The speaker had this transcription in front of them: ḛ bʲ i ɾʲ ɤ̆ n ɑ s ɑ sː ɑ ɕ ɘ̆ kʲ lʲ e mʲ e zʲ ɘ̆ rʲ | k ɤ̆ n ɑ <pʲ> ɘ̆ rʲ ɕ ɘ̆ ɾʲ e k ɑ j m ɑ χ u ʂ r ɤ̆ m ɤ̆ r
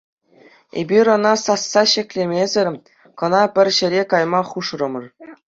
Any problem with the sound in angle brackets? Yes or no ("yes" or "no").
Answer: no